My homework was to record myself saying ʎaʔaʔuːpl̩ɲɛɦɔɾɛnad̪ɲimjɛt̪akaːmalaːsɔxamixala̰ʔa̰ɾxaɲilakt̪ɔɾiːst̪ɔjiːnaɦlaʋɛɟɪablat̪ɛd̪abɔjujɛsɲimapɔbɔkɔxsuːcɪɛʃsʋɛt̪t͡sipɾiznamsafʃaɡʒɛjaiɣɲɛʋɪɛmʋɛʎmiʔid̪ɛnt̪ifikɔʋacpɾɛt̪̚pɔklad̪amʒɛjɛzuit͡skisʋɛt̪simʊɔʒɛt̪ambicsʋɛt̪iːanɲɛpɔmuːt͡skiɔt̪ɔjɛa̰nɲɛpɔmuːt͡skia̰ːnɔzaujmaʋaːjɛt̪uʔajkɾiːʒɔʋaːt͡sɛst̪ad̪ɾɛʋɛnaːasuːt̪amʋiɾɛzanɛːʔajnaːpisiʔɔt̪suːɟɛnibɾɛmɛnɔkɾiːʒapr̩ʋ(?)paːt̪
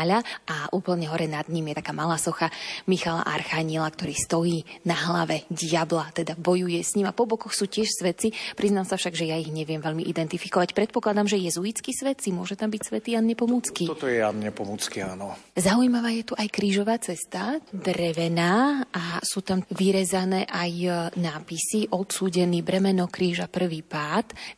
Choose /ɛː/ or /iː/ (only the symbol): iː